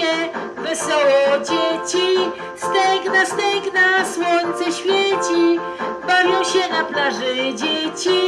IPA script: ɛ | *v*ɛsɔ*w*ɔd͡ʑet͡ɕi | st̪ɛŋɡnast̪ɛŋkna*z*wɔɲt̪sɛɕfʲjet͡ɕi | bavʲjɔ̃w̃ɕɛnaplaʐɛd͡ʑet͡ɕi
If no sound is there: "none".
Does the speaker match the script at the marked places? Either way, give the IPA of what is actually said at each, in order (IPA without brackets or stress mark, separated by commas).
v, w, s